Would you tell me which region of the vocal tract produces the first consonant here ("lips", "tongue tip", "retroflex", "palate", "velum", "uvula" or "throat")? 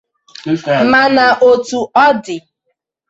lips